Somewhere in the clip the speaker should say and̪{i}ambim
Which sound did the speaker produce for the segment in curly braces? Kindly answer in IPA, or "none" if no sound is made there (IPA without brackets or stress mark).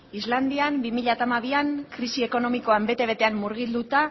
i